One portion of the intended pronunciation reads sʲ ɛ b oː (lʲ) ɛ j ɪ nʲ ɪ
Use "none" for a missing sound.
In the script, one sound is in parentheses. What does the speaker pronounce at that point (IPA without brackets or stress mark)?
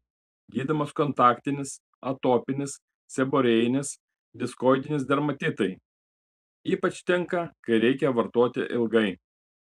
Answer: ɾʲ